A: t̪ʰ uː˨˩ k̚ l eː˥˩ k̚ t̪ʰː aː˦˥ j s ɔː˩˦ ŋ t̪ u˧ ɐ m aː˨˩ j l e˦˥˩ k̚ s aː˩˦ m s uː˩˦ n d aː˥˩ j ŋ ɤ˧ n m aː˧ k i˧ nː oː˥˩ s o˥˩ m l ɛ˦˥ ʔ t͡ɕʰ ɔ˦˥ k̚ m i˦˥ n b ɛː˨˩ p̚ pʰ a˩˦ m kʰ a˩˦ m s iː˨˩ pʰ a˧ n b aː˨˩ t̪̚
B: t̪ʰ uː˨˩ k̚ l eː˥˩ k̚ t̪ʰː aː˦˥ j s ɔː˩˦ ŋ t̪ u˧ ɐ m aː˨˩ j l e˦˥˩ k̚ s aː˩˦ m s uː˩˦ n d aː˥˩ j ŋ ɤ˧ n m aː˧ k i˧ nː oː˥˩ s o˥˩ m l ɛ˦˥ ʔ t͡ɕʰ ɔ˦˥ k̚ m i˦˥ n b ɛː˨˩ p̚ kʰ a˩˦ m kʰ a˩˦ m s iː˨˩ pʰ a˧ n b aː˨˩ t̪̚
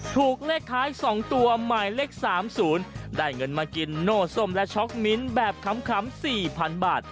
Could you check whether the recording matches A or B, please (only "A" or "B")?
B